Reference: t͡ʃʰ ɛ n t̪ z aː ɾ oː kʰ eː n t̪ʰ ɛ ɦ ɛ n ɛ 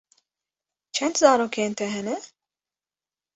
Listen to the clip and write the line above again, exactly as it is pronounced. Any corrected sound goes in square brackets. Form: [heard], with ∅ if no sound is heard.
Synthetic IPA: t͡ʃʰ ɛ n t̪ z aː ɾ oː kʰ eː n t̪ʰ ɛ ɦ ɛ n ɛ